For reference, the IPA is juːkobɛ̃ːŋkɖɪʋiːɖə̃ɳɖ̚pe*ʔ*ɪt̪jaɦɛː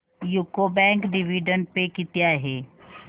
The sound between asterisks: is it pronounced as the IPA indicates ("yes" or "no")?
no